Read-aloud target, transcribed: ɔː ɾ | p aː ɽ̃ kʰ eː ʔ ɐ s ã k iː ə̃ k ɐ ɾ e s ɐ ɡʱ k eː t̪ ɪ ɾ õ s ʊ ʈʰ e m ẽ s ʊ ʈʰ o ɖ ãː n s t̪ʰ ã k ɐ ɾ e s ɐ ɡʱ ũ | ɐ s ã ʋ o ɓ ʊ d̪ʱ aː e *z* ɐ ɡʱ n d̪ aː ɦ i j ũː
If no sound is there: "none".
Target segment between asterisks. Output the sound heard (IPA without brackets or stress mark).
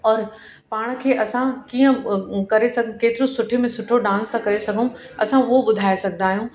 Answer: s